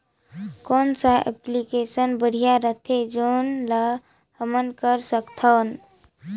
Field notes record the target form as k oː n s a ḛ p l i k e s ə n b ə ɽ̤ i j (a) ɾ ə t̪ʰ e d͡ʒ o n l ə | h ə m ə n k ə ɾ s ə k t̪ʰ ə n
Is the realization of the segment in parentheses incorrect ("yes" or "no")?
no